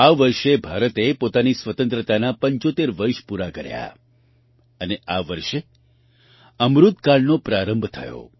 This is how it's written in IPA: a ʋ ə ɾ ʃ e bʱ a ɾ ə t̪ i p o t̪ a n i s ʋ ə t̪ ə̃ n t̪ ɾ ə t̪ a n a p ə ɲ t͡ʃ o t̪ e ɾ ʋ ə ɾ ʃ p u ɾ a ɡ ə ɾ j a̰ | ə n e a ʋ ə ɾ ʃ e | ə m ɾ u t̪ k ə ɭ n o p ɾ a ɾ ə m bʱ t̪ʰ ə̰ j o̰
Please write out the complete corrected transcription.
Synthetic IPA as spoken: a ʋ ə ɾ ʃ e bʱ a ɾ ə t̪ e p o t̪ a n i s ʋ ə t̪ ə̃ n t̪ ɾ ə t̪ a n a p ə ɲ t͡ʃ o t̪ e ɾ ʋ ə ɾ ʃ p u ɾ a k ə ɾ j a̰ | ə n e a ʋ ə ɾ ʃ e | ə m ɾ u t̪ k a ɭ n o p ɾ a ɾ ə m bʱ t̪ʰ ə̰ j o̰